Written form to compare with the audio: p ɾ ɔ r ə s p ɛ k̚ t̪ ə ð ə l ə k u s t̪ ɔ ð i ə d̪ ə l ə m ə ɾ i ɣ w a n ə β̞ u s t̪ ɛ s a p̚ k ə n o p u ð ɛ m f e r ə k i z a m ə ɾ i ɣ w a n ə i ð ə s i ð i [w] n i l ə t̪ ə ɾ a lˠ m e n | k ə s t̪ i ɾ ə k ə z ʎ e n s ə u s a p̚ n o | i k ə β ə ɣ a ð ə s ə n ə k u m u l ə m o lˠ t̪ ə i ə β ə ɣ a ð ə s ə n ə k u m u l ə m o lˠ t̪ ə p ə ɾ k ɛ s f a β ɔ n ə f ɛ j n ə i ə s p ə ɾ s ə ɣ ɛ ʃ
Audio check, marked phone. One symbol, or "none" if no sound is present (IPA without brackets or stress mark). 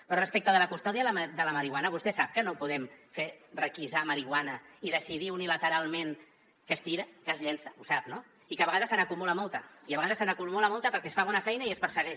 u